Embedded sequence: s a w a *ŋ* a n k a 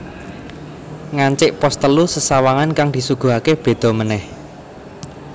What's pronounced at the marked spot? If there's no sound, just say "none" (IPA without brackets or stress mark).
ŋ